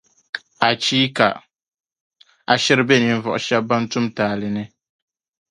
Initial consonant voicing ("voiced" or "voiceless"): voiceless